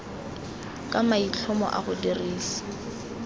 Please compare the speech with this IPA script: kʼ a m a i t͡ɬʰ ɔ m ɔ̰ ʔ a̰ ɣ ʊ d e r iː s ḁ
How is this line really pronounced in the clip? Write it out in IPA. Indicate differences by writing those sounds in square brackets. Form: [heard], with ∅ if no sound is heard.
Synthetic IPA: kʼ a m a i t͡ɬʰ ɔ m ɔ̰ ʔ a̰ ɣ ʊ d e r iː s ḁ